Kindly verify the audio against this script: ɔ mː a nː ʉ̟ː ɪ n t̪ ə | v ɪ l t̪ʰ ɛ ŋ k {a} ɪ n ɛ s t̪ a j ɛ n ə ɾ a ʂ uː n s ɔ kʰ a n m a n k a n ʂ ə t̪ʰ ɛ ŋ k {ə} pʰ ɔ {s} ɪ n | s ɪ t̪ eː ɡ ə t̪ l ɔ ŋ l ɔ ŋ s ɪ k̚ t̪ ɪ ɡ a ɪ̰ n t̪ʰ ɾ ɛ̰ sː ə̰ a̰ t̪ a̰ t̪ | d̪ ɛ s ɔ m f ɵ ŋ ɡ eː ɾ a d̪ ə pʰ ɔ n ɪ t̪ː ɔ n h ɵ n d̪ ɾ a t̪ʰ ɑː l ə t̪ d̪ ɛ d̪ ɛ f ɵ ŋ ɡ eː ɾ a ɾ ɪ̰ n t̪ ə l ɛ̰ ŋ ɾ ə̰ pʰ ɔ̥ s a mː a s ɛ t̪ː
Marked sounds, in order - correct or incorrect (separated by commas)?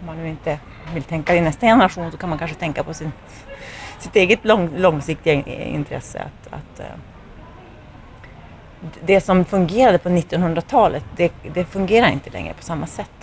correct, incorrect, correct